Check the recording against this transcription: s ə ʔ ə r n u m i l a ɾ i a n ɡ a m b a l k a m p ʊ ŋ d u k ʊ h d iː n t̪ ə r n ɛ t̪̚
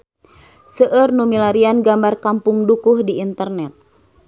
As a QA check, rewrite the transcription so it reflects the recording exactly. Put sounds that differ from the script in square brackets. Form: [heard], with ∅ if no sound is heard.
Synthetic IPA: s ə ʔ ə r n u m i l a ɾ i a n ɡ a m b a [r] k a m p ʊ ŋ d u k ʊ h d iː n t̪ ə r n ɛ t̪̚

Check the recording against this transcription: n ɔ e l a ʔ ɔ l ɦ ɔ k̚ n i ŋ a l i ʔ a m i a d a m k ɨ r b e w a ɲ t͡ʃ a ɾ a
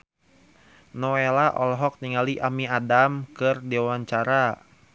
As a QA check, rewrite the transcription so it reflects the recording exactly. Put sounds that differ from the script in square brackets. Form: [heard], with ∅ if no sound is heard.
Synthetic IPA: n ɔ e l a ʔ ɔ l ɦ ɔ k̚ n i ŋ a l i ʔ a m i a d a m k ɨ r [d] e w a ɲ t͡ʃ a ɾ a

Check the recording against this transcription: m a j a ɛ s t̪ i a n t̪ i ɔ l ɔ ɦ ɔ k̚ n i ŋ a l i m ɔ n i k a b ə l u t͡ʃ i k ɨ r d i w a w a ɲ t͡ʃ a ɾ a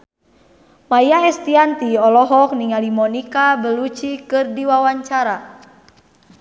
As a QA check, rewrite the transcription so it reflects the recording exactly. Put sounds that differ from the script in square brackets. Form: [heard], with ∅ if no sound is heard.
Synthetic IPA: m a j a ɛ s t̪ i a n t̪ i ɔ l ɔ ɦ ɔ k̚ n i ŋ a l i m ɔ n i k a b ə l u t͡ʃ i k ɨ r d i w a w a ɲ t͡ʃ a ɾ a

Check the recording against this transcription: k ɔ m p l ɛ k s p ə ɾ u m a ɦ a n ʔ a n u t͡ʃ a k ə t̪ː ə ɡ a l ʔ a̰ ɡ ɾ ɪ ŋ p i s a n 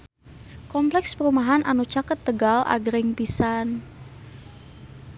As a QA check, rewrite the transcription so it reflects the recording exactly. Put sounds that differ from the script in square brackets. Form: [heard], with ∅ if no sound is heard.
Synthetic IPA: k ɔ m p l ɛ k s p ə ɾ u m a ɦ a n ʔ a n u t͡ʃ a k ə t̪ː ə ɡ a l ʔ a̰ ɡ ɾ ɪ ŋ p i s a n

